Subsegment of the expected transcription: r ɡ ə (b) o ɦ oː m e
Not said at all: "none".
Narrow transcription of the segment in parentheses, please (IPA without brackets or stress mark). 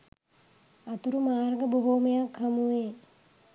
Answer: b